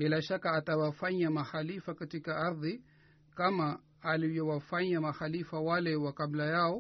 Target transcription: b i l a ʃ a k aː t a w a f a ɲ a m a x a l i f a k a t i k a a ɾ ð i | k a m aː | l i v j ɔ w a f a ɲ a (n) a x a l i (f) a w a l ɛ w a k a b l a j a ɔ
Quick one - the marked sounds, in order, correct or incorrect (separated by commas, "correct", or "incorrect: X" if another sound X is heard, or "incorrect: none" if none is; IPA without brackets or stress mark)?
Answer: incorrect: m, correct